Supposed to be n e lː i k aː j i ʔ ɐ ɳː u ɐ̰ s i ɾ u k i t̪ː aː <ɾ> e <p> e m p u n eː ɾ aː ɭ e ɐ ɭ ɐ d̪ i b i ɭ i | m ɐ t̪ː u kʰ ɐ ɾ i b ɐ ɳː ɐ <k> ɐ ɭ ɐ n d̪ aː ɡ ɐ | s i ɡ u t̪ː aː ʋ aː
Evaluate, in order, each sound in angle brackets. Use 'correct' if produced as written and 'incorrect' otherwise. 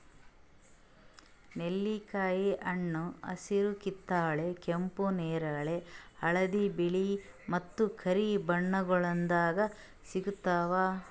incorrect: ɭ, incorrect: k, incorrect: ɡ

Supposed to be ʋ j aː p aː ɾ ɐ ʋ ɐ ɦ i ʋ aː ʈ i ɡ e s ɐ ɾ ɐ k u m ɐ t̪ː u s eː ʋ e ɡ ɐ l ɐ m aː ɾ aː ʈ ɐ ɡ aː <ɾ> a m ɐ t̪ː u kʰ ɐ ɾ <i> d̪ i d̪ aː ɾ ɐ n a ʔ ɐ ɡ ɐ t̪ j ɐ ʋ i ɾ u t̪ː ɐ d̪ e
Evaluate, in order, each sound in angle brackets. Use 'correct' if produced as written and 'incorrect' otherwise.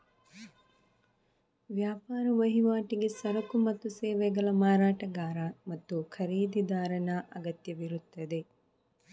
correct, incorrect: iː

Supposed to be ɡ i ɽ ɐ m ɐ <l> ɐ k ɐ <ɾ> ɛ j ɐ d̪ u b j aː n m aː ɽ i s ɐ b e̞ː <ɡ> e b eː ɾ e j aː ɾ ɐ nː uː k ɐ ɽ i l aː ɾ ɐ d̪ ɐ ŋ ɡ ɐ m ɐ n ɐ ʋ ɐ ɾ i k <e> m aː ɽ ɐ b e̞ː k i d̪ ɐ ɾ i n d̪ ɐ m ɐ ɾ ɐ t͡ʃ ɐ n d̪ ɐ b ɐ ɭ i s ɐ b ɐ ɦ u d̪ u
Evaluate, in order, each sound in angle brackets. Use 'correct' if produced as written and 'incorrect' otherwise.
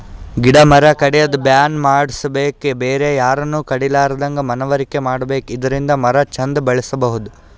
incorrect: ɾ, incorrect: ɽ, incorrect: k, correct

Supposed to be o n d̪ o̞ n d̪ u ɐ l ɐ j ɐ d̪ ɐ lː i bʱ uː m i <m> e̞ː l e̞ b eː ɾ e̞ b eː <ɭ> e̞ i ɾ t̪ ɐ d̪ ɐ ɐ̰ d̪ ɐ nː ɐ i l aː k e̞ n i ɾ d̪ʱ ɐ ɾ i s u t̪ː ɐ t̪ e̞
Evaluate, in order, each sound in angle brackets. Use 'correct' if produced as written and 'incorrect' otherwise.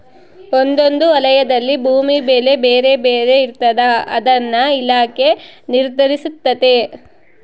incorrect: b, incorrect: ɾ

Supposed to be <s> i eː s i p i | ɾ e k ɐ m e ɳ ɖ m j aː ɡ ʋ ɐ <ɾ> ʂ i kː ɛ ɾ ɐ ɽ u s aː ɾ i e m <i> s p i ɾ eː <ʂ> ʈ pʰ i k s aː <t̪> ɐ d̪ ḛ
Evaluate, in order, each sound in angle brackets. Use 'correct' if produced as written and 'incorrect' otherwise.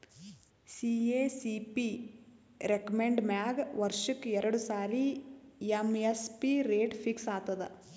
correct, correct, incorrect: e, incorrect: none, correct

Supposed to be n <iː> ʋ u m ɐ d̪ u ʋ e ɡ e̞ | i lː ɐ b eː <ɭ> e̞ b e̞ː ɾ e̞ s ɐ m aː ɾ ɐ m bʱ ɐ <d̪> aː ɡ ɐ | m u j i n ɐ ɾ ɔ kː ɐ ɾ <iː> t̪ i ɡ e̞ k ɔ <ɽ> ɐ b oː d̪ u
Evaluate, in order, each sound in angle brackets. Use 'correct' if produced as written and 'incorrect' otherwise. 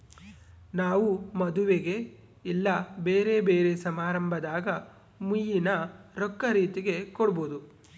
incorrect: aː, incorrect: ɾ, correct, correct, correct

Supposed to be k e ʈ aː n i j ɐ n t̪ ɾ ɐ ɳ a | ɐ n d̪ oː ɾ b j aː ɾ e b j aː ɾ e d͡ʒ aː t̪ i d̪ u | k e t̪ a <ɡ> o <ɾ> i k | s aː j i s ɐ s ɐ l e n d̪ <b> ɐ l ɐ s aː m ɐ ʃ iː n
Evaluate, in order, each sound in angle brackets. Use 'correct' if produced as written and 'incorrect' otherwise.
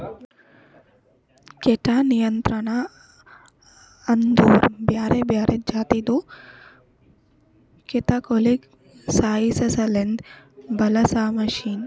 incorrect: k, incorrect: l, correct

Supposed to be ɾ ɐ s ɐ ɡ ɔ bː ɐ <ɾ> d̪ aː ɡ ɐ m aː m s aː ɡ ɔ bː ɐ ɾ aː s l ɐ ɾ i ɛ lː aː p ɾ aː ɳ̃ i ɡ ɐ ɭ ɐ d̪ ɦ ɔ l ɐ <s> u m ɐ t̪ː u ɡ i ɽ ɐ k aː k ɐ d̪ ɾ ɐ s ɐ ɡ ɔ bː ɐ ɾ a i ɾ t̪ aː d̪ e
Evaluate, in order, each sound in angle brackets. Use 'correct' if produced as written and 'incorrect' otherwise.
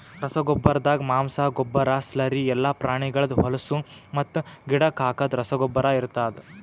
correct, correct

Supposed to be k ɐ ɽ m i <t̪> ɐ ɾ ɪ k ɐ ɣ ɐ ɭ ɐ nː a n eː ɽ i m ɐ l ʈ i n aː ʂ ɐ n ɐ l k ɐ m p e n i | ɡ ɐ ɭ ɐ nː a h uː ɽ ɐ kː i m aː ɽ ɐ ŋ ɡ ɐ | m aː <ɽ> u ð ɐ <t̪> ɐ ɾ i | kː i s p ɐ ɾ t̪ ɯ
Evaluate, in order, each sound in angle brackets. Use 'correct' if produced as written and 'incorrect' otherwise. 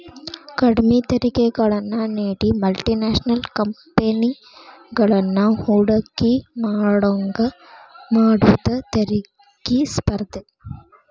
correct, correct, correct

